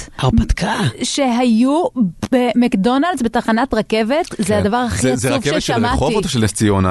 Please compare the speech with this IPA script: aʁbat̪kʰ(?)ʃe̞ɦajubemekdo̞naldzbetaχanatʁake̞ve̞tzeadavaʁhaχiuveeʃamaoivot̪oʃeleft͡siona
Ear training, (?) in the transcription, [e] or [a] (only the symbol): a